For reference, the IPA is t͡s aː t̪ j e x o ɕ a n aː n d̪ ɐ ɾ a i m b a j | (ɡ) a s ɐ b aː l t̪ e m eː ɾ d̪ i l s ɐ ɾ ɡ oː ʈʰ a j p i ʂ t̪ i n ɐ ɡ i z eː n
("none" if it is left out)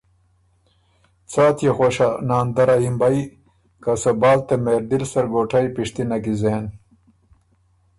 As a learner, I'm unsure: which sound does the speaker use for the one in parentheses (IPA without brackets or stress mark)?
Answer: k